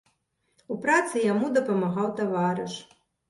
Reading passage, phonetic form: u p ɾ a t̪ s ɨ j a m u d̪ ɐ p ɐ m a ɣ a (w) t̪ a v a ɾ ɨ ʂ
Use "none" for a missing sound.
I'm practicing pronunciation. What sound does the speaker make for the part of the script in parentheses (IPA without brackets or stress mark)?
w